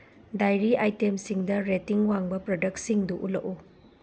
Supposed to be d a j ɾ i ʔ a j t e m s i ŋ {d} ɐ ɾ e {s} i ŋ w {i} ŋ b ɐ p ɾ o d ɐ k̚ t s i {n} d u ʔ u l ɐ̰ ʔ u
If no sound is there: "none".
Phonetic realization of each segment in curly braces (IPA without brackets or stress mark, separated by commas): d, t, a, ŋ